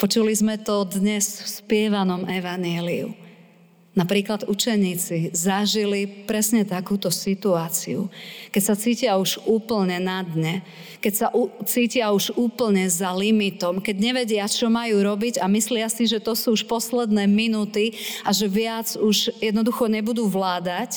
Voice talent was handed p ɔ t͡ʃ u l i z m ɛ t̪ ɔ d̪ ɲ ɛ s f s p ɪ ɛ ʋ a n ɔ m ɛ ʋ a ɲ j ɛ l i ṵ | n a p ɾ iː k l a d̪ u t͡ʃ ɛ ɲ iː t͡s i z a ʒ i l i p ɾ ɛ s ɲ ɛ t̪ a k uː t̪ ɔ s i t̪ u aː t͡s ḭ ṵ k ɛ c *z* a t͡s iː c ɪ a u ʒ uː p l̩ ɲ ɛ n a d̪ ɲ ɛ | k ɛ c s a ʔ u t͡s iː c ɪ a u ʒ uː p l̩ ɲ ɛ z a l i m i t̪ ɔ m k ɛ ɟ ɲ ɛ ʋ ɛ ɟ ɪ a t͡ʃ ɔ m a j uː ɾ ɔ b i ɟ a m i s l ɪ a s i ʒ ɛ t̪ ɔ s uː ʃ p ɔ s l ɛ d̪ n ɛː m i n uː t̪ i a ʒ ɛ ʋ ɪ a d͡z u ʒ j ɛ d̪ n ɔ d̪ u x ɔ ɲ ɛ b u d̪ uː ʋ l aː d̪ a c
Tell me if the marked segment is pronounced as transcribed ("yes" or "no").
no